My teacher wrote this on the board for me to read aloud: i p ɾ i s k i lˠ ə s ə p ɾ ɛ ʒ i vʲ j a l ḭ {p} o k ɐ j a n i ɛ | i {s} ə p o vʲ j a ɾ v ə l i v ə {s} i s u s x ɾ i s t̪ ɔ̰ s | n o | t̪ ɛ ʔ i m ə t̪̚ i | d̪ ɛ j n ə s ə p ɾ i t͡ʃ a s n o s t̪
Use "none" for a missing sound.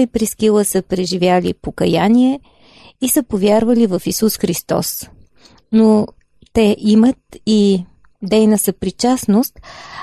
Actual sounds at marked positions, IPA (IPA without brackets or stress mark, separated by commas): p, s, f